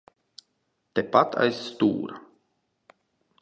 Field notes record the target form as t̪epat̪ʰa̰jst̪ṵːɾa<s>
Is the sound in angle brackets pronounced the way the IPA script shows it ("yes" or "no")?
no